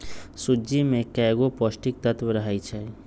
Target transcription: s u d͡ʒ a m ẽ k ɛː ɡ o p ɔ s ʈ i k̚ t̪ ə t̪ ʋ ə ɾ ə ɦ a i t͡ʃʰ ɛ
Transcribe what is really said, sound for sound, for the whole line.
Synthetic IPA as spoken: s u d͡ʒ i m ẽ k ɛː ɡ o p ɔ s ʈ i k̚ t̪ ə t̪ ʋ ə ɾ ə ɦ a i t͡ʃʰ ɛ